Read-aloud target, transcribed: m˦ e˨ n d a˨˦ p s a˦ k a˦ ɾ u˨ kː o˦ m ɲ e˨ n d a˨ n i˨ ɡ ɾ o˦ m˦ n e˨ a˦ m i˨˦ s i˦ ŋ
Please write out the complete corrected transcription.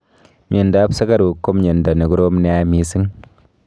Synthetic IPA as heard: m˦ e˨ n d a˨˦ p s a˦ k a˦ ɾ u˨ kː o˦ m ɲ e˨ n d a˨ n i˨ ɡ ɾ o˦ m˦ n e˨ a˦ m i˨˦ s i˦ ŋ